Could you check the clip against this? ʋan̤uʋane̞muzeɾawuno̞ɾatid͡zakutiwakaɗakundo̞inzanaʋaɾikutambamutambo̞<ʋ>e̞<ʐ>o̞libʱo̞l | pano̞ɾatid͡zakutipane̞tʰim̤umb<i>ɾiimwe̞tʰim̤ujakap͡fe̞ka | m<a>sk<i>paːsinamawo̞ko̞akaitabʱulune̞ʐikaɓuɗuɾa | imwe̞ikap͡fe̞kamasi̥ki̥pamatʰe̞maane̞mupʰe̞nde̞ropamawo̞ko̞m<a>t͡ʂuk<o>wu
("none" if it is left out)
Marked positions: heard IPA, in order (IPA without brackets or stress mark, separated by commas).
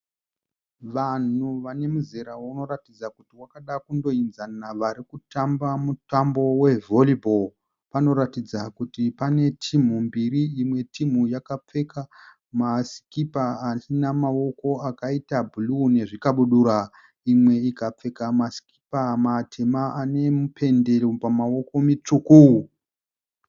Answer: w, v, i, a, i, i, u